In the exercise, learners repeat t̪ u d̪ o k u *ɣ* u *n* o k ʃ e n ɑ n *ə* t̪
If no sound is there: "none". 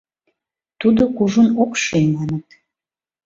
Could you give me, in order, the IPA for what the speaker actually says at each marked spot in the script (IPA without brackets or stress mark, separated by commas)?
ʒ, n, ə